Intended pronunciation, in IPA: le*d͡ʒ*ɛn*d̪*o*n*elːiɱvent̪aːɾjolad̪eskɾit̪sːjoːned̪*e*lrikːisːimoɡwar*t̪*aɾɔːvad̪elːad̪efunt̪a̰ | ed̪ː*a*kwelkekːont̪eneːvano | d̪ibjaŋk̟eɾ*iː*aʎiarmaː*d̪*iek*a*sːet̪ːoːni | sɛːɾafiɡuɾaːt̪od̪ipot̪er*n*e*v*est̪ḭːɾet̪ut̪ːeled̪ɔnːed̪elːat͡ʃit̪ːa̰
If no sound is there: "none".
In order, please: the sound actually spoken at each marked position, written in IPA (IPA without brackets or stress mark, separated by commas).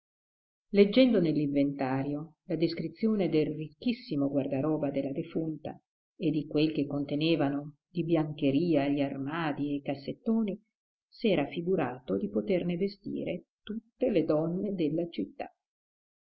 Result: d͡ʒː, d̪, n, e, d̪, i, iː, d̪, a, n, v